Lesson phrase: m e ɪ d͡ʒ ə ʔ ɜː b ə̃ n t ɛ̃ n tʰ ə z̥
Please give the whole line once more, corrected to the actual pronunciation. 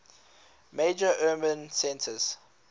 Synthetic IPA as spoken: m e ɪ d͡ʒ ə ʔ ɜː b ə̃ n s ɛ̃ n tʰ ə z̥